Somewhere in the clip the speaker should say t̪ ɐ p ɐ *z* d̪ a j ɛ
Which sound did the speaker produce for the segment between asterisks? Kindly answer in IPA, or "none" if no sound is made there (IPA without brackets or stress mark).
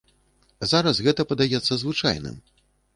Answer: none